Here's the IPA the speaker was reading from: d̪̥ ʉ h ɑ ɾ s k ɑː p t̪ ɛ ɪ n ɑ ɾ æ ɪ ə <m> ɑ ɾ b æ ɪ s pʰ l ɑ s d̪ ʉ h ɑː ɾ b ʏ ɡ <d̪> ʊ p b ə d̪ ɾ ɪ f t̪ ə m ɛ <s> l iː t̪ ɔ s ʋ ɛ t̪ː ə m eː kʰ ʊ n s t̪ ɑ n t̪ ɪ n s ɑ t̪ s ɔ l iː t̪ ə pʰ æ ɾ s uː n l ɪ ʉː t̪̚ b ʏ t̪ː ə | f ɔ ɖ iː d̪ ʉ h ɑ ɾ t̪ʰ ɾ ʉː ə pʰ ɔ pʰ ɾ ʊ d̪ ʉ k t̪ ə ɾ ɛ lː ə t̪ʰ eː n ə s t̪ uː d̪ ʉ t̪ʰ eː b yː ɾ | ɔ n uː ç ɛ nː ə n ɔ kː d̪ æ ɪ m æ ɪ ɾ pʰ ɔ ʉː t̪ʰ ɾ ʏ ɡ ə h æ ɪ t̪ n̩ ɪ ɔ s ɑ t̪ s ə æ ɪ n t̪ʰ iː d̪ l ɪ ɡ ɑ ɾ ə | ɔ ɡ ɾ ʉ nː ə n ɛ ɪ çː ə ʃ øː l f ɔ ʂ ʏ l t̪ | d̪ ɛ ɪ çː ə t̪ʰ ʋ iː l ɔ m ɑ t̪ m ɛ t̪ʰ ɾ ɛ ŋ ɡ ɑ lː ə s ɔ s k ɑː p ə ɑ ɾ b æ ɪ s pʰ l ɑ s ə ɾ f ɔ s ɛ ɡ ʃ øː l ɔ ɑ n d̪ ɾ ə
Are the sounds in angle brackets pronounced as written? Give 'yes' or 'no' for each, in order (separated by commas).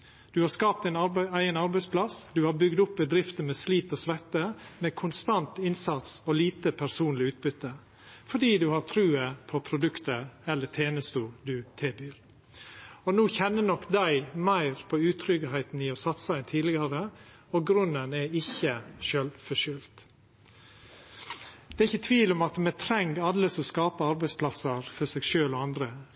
no, yes, yes